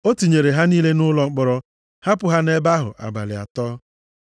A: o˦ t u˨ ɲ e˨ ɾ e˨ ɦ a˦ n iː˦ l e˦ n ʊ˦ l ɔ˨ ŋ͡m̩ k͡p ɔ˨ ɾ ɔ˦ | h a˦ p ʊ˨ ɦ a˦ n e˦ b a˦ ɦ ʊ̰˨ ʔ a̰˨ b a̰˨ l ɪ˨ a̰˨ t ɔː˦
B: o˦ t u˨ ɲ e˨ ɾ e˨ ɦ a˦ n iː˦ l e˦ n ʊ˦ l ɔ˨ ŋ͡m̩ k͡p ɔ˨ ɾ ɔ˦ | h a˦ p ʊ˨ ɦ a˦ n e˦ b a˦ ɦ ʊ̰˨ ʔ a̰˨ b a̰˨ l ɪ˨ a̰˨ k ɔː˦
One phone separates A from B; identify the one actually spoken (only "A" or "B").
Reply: A